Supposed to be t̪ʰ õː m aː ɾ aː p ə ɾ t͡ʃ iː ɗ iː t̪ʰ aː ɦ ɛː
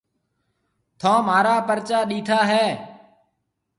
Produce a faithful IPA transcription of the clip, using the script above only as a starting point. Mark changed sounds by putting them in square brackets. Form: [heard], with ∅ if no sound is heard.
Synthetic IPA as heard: t̪ʰ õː m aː ɾ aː p ə ɾ t͡ʃ [aː] ɗ iː t̪ʰ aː ɦ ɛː